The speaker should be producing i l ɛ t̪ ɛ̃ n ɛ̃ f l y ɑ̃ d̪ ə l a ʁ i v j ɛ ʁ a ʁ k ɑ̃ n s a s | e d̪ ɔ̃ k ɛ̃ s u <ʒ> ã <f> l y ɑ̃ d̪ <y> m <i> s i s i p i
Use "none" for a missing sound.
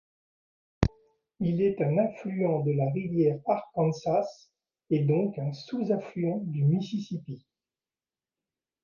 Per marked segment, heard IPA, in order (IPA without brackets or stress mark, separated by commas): z, f, y, i